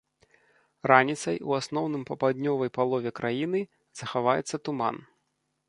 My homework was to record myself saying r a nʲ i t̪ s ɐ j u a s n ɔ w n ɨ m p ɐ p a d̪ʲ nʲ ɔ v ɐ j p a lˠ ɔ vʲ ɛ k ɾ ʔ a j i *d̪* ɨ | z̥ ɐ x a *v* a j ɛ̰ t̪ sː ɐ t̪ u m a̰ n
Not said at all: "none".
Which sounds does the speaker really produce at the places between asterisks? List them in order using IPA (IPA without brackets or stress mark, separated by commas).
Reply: n̪, v